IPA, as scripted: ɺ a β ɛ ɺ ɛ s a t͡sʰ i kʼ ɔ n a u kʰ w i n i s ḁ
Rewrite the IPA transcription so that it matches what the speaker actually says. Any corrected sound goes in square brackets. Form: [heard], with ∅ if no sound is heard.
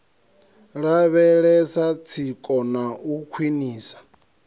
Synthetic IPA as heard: ɺ a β ɛ ɺ ɛ s a t͡sʰ i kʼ ɔ n a u kʰ w i n [iː] s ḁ